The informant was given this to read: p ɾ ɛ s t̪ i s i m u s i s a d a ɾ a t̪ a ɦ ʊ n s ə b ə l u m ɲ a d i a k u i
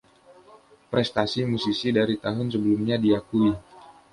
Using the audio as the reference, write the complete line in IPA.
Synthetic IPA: p ɾ ɛ s t̪ a s i m u s i s i d a ɾ i t̪ a ɦ ʊ n s ə b ə l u m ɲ a d i a k u i